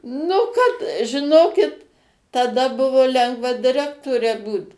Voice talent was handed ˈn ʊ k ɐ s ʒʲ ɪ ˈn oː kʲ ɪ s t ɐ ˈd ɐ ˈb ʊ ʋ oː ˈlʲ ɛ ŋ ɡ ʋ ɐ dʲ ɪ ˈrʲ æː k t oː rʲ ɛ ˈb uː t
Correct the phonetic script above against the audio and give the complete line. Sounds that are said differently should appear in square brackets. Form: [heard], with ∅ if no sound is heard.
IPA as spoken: ˈn ʊ k ɐ [t] ʒʲ ɪ ˈn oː kʲ ɪ [t] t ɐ ˈd ɐ ˈb ʊ ʋ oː ˈlʲ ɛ ŋ ɡ ʋ ɐ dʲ ɪ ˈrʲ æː k t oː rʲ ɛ ˈb uː t